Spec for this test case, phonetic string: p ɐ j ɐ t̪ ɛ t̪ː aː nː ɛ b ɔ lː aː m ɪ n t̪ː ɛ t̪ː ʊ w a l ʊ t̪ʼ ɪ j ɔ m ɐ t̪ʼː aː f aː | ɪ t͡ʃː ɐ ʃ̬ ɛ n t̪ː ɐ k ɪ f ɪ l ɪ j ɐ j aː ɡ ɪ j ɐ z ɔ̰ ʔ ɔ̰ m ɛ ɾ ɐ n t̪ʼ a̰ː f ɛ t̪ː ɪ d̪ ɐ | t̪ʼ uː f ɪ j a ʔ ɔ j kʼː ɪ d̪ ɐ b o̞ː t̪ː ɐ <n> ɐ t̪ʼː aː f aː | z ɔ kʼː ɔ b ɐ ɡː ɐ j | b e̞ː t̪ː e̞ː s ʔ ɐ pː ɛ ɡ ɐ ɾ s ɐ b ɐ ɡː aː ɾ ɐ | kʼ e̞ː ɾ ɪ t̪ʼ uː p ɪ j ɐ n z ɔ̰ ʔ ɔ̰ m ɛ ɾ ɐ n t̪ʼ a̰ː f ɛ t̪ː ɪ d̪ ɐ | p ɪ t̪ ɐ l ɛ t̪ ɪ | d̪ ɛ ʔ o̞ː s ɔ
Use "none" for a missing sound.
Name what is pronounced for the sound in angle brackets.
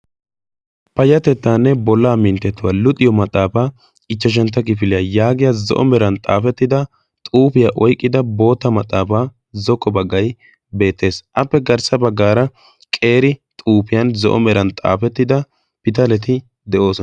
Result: m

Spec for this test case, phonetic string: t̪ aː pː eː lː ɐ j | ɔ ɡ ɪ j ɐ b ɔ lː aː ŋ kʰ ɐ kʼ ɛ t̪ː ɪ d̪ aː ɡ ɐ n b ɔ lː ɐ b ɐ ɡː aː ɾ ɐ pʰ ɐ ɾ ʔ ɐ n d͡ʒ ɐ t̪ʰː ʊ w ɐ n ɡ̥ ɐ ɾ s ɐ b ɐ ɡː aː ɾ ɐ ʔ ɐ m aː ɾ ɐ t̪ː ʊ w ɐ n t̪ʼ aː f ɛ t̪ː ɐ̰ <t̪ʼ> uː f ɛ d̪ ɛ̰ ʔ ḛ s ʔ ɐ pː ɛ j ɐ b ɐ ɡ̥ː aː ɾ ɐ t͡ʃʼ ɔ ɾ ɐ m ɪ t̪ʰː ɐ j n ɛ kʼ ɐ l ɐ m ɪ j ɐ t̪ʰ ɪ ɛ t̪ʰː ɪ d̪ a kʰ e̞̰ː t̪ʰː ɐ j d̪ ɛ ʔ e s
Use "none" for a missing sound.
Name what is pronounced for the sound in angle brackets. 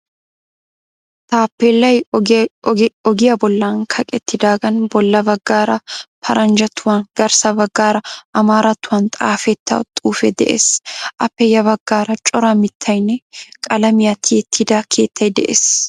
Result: t̪ʼ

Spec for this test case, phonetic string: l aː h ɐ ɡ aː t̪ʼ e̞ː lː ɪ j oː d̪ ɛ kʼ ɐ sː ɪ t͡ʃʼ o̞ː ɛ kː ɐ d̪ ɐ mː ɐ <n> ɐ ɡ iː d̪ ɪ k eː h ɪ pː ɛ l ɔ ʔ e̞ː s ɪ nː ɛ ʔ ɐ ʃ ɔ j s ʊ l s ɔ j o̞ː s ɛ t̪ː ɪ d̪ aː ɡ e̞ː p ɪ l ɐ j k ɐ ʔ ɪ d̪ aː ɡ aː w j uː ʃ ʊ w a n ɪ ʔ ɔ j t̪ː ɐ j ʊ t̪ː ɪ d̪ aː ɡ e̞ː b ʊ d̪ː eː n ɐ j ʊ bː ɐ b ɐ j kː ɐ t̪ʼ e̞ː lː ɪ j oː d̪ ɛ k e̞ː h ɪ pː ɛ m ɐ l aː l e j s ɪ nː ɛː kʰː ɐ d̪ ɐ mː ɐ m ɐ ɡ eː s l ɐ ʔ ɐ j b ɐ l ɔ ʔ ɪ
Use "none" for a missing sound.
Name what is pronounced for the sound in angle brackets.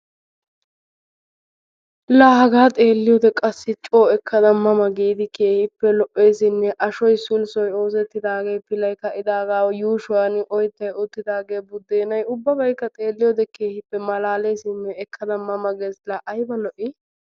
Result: m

